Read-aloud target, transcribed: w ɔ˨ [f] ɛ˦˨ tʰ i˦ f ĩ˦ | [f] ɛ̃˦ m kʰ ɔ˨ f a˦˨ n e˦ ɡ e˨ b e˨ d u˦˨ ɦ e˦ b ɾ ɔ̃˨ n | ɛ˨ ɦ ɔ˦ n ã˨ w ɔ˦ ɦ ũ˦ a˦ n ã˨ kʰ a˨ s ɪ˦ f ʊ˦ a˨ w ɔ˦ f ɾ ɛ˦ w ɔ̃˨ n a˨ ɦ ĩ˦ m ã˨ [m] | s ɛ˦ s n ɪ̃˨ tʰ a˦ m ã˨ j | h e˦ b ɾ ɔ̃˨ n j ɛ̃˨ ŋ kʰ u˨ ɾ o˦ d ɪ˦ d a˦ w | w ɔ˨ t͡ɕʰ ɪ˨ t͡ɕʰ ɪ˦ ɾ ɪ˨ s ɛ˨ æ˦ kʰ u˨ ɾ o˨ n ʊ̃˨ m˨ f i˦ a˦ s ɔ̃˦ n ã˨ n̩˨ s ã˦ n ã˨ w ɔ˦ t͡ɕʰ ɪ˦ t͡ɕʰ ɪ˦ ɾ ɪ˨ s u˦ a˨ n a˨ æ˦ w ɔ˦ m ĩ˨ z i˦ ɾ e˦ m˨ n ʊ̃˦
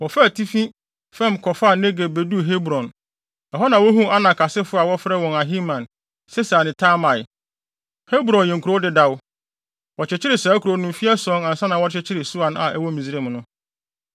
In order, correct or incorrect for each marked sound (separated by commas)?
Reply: correct, correct, incorrect